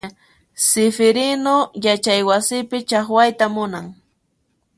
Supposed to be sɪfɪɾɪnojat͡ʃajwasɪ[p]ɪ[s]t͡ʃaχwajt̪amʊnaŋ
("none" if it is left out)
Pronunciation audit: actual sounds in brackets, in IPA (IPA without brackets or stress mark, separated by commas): p, none